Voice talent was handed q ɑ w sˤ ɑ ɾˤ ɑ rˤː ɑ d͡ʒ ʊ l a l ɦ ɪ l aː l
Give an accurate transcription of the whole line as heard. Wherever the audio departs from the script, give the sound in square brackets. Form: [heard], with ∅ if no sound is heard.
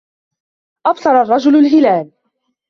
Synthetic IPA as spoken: [ʔ] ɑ [b] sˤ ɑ ɾˤ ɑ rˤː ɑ d͡ʒ ʊ l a l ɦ ɪ l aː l